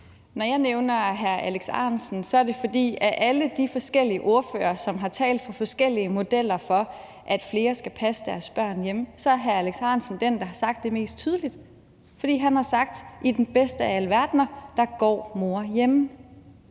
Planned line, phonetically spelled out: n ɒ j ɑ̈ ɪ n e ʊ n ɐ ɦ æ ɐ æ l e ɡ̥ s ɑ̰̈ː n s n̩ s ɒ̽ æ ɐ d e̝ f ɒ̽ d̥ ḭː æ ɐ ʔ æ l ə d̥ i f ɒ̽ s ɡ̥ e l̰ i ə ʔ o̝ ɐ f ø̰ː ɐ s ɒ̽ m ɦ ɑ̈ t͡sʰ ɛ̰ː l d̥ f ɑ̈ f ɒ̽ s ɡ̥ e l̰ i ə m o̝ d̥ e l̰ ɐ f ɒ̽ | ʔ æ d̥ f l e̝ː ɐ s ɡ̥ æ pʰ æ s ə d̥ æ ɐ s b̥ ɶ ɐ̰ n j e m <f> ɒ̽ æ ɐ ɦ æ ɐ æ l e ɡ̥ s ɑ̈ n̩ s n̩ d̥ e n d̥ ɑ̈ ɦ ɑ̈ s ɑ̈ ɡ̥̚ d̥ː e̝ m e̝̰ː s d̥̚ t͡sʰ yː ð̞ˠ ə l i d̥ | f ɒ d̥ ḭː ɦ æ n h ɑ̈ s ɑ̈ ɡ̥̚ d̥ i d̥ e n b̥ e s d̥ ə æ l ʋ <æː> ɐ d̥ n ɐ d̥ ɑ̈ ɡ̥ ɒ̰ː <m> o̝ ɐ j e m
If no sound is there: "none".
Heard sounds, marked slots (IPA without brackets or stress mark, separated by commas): s, æ, m